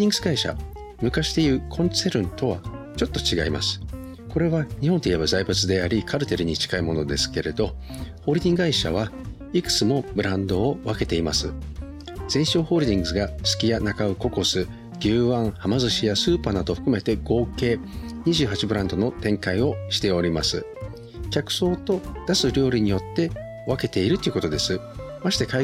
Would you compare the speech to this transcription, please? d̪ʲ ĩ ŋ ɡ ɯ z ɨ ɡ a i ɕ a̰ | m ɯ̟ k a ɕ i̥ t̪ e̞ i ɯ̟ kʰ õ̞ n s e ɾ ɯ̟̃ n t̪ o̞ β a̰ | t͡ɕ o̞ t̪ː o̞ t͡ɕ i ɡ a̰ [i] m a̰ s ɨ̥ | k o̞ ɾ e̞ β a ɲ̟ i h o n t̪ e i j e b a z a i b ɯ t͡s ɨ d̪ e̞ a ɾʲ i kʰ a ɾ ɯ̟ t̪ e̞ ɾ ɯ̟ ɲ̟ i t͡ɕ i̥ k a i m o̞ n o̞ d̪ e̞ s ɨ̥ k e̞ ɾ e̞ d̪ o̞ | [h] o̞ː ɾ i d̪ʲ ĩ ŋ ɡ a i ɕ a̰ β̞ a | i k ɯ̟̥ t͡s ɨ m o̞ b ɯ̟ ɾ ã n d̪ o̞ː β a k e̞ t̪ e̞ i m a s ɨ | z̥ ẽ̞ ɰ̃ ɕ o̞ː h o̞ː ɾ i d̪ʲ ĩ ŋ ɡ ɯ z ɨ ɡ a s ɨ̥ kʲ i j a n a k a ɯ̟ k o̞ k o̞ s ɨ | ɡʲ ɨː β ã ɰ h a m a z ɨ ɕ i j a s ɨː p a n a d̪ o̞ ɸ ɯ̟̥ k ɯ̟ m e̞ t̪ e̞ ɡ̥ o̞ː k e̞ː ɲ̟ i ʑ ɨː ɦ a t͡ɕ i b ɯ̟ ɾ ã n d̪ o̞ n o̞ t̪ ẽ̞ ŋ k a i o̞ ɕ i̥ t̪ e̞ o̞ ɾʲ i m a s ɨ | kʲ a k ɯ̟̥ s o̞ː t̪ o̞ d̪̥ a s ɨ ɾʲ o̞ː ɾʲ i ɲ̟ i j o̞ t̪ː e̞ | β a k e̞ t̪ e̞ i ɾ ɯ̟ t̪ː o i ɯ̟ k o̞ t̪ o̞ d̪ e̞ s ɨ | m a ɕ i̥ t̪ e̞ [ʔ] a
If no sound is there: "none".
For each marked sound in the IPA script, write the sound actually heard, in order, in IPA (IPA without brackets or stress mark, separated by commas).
i, h, k